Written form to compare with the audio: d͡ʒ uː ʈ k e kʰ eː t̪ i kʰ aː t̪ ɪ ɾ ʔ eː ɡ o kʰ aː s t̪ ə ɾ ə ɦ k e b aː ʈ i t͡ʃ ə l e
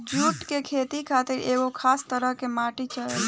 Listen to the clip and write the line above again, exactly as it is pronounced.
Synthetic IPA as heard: d͡ʒ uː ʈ k e kʰ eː t̪ i kʰ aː t̪ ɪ ɾ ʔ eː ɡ o kʰ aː s t̪ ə ɾ ə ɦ k e m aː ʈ i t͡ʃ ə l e